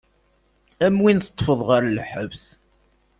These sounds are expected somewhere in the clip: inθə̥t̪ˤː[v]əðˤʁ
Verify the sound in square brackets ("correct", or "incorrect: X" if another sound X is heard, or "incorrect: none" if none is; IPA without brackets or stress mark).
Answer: incorrect: f